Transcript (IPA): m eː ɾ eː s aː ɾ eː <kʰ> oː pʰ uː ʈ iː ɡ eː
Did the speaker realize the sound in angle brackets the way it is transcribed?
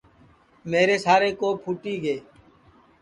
no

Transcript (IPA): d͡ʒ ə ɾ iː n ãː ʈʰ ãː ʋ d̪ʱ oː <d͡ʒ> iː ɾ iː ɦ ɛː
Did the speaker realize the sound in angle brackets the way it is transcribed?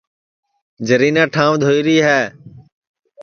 no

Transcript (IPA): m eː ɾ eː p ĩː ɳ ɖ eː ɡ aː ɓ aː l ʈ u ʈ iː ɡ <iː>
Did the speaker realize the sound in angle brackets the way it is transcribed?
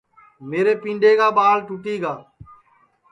no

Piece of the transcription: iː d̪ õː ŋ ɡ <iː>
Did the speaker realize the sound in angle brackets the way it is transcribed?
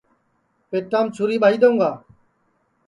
no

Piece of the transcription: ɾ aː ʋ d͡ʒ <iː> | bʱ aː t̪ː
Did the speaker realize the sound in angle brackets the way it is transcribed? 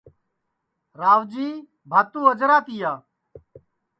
yes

